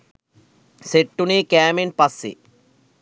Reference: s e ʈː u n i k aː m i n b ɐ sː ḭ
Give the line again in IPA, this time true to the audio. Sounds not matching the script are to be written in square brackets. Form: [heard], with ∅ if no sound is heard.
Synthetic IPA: s e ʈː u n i k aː m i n [p] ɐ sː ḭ